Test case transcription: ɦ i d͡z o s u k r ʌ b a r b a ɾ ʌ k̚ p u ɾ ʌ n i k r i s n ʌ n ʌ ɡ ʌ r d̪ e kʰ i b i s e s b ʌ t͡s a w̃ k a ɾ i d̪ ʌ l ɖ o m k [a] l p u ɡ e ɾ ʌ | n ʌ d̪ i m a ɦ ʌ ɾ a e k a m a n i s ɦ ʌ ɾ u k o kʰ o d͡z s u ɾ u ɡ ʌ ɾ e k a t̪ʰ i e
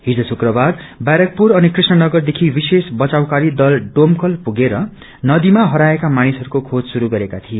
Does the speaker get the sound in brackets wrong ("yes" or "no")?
yes